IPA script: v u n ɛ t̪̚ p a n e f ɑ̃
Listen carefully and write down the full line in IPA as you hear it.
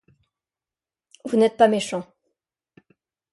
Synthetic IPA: v u n ɛ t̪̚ p a m e ʃ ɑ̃